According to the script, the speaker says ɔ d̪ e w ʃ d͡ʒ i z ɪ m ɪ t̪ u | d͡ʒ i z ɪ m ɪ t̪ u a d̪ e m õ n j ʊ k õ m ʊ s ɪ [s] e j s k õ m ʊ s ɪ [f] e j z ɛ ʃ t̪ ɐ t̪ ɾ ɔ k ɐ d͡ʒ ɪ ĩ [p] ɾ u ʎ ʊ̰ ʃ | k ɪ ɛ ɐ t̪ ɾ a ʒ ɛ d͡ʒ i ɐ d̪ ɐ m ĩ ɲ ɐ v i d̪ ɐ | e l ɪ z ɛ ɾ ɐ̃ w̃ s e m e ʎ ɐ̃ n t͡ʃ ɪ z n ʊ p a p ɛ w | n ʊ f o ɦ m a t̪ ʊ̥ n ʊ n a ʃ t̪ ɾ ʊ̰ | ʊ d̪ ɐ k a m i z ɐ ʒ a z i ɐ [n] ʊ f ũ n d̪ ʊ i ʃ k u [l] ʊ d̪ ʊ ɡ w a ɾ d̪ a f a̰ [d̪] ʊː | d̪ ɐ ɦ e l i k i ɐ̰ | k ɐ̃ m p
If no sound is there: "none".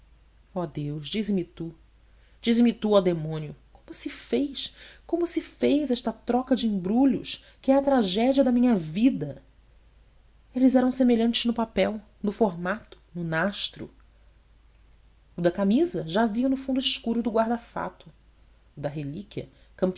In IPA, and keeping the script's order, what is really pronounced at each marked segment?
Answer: f, f, b, n, ɾ, t̪

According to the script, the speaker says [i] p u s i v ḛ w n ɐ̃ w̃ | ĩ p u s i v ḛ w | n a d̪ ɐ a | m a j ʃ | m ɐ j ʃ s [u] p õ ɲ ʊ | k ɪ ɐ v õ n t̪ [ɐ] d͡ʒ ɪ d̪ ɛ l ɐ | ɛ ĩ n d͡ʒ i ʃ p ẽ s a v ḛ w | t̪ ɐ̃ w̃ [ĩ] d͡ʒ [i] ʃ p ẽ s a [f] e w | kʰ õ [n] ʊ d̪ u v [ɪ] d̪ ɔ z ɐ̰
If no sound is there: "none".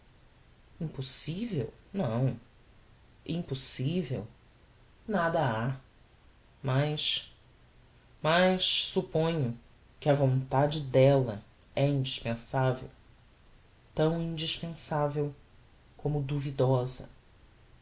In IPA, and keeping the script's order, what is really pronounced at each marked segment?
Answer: ĩ, u, a, ĩ, i, v, m, i

